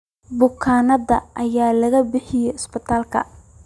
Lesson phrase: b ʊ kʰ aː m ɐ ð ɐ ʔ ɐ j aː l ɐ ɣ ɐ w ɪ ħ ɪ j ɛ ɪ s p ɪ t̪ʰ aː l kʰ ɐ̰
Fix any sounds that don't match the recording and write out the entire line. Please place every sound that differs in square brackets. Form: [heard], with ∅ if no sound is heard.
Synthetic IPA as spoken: b ʊ kʰ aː [n] ɐ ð ɐ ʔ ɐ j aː l ɐ ɣ ɐ [b] ɪ ħ ɪ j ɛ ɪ s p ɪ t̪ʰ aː l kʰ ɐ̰